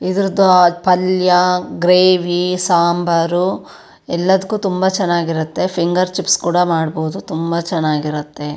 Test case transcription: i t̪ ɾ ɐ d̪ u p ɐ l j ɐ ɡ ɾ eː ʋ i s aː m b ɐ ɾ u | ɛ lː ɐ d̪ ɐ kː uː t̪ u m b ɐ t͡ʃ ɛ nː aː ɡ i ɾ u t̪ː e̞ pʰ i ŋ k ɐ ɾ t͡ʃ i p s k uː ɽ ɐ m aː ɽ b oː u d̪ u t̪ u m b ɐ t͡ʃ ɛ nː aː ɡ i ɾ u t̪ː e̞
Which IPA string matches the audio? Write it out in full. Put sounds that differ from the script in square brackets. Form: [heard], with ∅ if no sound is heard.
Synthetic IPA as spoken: i [d̪] ɾ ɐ d̪ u p ɐ l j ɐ ɡ ɾ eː ʋ i s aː m b ɐ ɾ u | ɛ lː ɐ d̪ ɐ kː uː t̪ u m b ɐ t͡ʃ ɛ nː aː ɡ i ɾ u t̪ː e̞ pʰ i ŋ [ɡ] ɐ ɾ t͡ʃ i p s k uː ɽ ɐ m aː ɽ b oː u d̪ u t̪ u m b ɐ t͡ʃ ɛ nː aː ɡ i ɾ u t̪ː e̞